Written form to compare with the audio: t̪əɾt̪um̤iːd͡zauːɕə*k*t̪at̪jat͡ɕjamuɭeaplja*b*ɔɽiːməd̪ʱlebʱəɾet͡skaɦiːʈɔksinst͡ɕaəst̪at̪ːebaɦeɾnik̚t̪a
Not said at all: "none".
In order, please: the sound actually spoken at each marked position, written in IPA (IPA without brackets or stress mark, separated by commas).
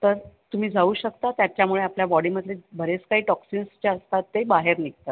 k, b